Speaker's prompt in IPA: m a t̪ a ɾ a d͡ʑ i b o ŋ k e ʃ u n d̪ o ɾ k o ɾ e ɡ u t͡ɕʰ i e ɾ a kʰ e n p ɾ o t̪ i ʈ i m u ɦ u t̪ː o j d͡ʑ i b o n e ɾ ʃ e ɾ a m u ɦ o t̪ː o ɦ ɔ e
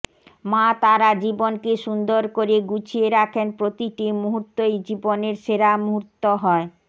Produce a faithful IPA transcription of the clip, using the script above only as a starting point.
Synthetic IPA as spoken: m a t̪ a ɾ a d͡ʑ i b o n k e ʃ u n d̪ o ɾ k o ɾ e ɡ u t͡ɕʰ i e ɾ a kʰ e n p ɾ o t̪ i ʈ i m u ɦ u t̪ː o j d͡ʑ i b o n e ɾ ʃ e ɾ a m u ɦ u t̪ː o ɦ ɔ e